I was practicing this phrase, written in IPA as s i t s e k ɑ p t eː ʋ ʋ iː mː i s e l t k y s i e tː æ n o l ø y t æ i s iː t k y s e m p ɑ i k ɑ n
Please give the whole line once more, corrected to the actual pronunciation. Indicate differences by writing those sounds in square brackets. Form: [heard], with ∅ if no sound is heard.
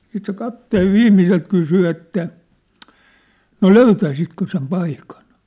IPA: s [iː] t s e k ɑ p t eː ʋ ʋ iː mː i s e l t k y s [y] e tː æ n o l ø y t æ i s [i] t k [ø] s e m p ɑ i k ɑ n

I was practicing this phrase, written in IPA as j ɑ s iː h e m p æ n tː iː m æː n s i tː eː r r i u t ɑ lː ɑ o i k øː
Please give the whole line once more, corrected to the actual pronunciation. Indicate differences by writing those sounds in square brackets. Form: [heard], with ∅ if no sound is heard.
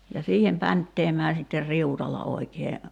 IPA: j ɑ s iː h e m p æ n tː [eː] m æː [∅] s i tː [e] r r i u t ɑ lː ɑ o i k [eː]

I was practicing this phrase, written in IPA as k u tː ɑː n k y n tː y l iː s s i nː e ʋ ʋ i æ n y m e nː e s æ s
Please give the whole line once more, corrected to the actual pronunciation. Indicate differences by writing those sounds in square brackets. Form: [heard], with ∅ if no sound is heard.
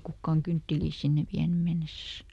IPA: k u [kː] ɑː [ŋ] k y n tː [i] l iː s s i nː e ʋ ʋ i æ n y m e nː e s æ s

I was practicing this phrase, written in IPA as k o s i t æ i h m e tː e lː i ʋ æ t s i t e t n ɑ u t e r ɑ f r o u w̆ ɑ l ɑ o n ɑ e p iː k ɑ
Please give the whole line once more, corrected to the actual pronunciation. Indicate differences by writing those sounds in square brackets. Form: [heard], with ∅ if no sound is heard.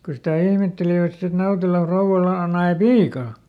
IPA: k o s i t æ i h m e tː e [l] i ʋ æ t s i t e t n ɑ u t e [l] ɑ f r o u w̆ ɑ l ɑ o n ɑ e p iː k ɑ

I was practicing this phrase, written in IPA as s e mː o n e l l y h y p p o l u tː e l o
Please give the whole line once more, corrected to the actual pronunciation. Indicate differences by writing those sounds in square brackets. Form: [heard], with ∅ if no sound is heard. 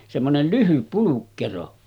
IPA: s e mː o n e l l y h y p p [u] l u [kː] e [r] o

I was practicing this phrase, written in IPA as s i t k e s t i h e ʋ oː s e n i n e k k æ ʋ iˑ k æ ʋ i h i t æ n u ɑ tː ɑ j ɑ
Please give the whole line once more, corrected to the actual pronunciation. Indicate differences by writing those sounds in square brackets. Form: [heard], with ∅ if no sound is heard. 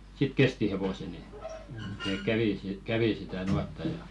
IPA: s i t k e s t i h e ʋ [o] s e n i n e k k æ ʋ iˑ k æ ʋ i [s] i t æ n u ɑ tː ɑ j ɑ

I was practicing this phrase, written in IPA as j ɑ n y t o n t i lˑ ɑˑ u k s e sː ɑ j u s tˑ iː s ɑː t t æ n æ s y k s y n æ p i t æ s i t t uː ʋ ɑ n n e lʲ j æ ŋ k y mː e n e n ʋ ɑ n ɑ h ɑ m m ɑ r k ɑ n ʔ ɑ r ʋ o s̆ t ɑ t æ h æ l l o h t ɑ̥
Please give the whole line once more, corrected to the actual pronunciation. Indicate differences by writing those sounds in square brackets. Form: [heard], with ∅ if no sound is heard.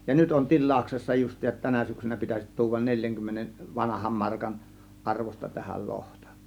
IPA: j ɑ n y t o n t i lˑ ɑˑ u k s e sː ɑ j u s tˑ iː s [ɑ] t t æ n æ s y k s y n æ p i t æ s i t t uː ʋ ɑ n n e lʲ j æ ŋ k y mː e n e n ʋ ɑ n ɑ h ɑ m m ɑ r k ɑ n ʔ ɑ r ʋ o s̆ t ɑ t æ h æ l l o h t ɑ̥

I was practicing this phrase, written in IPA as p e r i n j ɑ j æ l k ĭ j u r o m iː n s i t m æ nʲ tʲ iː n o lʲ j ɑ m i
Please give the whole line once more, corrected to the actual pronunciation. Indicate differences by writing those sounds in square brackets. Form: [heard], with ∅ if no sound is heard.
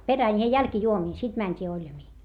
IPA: p e r [æ] n j ɑ j æ l k ĭ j u [∅] o m iː n s i t m æ nʲ tʲ iː [∅] o lʲ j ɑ m [iː]

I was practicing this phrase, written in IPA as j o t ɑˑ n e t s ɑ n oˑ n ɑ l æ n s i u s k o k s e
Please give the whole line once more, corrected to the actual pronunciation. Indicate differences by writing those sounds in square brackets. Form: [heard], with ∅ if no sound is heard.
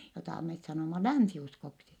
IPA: j o t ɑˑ [m] e t s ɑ n oˑ [m] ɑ l æ n s i u s k o k s [i]

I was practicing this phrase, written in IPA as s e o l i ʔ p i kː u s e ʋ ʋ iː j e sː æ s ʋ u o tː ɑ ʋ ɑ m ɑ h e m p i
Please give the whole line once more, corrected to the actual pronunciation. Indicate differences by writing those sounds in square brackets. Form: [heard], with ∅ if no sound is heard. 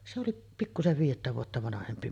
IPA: s e o l i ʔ p i kː u s e ʋ ʋ iː j e [tː] æ [∅] ʋ u o tː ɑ ʋ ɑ [n] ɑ h e m p i

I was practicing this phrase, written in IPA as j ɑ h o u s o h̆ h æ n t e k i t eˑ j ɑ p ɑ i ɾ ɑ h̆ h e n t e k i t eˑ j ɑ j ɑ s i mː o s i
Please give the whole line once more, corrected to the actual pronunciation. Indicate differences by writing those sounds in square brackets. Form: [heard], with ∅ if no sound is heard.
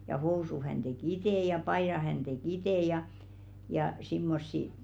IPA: j ɑ h o u s [u] h̆ h æ n t e k i t eˑ j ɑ p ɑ i ɾ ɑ h̆ h [æ] n t e k i t eˑ j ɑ j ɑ s i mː o [sː] i

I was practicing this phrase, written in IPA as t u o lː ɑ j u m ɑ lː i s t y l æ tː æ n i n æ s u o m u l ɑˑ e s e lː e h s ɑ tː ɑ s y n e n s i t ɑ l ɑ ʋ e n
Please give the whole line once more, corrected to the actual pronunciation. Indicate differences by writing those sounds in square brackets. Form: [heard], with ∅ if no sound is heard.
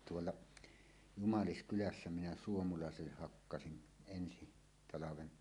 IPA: t u o lː ɑ j u m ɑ [l] i s [k] y l æ [sː] æ [m] i n æ s u o m u l ɑˑ e s e lː e h [h] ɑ [kː] ɑ s [i] n e n s i t ɑ l ɑ ʋ e n

